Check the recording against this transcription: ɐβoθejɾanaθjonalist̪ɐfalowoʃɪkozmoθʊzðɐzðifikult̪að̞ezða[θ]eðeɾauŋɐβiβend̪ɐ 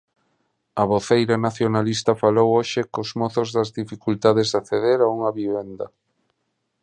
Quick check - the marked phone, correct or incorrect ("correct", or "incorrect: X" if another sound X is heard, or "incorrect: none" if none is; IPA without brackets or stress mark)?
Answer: correct